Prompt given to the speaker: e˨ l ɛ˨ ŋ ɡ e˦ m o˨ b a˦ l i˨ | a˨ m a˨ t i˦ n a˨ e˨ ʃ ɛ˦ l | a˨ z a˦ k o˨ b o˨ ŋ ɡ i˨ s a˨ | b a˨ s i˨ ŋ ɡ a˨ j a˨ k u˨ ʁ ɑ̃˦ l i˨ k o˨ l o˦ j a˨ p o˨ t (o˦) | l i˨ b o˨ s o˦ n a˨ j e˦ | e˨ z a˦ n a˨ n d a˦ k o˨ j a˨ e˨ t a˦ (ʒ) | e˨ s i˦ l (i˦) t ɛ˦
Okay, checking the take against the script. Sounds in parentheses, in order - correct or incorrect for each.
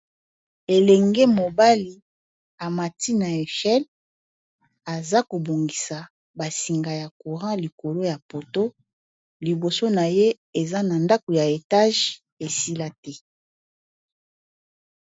correct, correct, incorrect: a˦

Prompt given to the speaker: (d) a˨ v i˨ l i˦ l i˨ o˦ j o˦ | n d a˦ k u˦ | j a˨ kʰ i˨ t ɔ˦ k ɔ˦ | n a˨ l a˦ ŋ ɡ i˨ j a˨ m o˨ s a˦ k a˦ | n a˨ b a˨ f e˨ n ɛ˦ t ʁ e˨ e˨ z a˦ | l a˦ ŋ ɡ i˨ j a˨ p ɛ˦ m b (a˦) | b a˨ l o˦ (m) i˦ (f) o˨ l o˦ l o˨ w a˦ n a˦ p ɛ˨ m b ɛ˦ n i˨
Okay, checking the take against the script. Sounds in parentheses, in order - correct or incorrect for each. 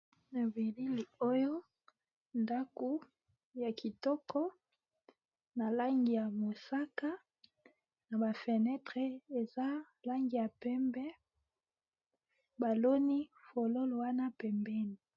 incorrect: n, incorrect: ɛ˦, incorrect: n, correct

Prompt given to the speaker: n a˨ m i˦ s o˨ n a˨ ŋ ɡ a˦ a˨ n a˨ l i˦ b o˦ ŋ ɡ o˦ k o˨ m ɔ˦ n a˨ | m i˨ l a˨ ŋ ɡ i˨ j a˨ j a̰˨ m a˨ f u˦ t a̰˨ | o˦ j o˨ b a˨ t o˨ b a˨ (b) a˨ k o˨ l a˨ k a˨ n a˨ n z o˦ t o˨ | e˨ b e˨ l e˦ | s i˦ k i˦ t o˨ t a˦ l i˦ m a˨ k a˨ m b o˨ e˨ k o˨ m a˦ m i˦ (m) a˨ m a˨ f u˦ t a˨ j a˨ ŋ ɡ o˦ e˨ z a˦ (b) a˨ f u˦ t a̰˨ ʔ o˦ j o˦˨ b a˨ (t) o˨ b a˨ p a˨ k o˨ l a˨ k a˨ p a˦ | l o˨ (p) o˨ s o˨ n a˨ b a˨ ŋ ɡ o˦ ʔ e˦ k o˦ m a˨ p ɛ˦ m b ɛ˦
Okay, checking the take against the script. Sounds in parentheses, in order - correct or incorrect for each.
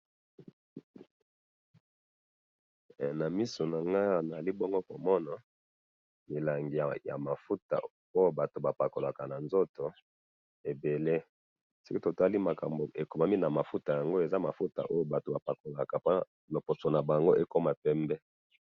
incorrect: p, incorrect: n, incorrect: m, correct, correct

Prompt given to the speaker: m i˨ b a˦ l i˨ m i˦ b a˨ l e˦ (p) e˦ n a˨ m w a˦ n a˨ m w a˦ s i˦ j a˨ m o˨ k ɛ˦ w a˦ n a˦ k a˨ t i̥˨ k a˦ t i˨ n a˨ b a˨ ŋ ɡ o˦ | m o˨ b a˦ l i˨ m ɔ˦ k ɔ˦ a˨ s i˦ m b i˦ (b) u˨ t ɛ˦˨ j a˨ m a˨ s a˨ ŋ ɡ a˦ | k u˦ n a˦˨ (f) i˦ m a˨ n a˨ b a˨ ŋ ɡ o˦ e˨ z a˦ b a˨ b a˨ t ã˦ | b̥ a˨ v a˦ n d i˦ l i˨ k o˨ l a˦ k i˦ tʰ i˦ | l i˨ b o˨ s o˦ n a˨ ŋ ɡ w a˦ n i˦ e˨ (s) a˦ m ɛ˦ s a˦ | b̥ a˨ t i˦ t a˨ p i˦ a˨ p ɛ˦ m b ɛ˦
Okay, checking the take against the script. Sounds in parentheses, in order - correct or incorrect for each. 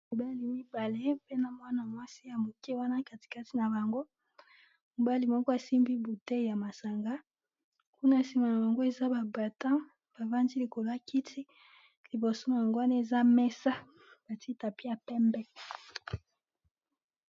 correct, correct, incorrect: s, incorrect: z

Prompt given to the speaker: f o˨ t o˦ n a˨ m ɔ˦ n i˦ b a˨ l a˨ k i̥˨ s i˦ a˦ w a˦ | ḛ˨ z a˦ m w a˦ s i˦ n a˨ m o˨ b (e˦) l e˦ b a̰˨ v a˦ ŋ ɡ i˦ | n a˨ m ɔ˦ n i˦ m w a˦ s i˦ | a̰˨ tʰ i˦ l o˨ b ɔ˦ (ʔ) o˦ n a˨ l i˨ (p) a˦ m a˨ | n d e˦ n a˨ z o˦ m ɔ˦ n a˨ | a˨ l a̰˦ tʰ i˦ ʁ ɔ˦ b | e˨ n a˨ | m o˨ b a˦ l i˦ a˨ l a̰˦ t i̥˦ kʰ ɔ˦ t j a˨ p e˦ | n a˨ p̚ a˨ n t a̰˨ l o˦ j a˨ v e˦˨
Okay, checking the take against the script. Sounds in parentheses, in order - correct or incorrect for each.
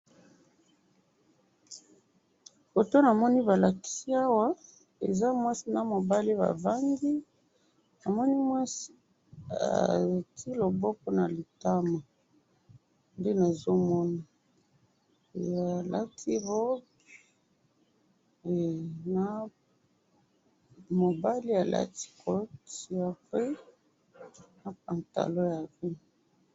incorrect: a˦, incorrect: p, incorrect: t

